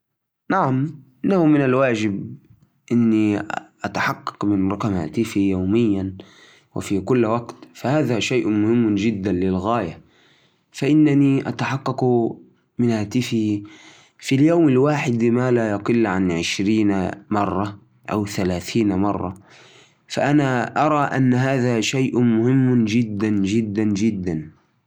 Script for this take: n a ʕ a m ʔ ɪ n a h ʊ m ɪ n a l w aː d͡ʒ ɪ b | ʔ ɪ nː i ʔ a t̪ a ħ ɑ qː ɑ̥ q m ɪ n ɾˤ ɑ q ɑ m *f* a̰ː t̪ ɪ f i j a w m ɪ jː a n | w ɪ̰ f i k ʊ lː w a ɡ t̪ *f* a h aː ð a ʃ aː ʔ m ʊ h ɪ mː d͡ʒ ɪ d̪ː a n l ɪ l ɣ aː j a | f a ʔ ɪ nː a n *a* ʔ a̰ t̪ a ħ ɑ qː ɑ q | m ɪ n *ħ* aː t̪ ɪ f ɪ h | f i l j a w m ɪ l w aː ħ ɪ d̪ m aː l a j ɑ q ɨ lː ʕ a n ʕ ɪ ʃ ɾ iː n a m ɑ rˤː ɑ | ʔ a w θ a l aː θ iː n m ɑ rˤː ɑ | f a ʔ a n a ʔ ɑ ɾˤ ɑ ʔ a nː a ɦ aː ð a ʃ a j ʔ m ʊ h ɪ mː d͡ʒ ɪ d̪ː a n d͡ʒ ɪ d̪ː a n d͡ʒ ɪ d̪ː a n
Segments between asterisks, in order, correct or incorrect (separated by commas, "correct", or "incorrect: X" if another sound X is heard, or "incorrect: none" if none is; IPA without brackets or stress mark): incorrect: h, correct, incorrect: i, incorrect: h